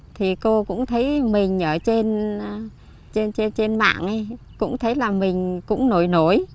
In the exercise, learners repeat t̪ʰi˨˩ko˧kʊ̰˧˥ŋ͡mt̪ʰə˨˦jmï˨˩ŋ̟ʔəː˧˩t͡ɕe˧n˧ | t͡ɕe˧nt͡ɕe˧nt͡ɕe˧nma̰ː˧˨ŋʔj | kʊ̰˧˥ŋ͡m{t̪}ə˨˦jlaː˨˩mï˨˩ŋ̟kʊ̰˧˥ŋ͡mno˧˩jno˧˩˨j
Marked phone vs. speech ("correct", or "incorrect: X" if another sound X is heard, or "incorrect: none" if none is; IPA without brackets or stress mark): incorrect: t̪ʰ